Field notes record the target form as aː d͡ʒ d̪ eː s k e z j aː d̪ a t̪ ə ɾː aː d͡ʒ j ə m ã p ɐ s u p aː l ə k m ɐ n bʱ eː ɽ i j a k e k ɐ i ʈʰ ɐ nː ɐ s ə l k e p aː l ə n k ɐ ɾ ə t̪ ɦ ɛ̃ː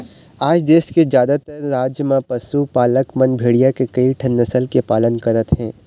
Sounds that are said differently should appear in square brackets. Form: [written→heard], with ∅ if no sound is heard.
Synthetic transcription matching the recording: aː d͡ʒ d̪ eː s k e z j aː d̪ a t̪ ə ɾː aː d͡ʒ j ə m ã p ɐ s u p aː l ə k m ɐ n bʱ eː ɽ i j a k e k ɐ i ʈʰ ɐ nː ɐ s ə l k e p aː l ə n k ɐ ɾ ə t̪ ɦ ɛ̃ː